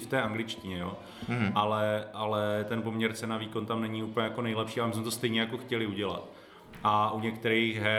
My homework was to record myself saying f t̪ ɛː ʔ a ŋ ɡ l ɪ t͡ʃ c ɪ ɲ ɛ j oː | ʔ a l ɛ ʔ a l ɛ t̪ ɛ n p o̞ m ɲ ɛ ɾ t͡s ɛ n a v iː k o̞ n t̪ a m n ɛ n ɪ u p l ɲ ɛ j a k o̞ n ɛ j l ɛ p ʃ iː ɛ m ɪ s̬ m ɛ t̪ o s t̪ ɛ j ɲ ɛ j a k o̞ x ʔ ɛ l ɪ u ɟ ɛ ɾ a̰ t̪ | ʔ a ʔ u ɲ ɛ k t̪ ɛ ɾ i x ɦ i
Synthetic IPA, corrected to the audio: f t̪ ɛː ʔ a ŋ ɡ l ɪ t͡ʃ c ɪ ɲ ɛ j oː | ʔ a l ɛ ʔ a l ɛ t̪ ɛ n p o̞ m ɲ ɛ ɾ t͡s ɛ n a v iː k o̞ n t̪ a m n ɛ ɲ ɪ u p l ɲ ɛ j a k o̞ n ɛ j l ɛ p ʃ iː a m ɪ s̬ m ɛ t̪ o s t̪ ɛ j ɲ ɛ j a k o̞ x c ɛ l ɪ u ɟ ɛ l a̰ t̪ | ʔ a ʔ u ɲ ɛ k t̪ ɛ ɾ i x ɦ ɛ